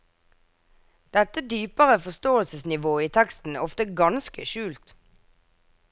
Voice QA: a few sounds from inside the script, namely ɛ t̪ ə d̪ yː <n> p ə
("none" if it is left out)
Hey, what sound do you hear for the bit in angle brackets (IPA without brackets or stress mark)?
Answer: none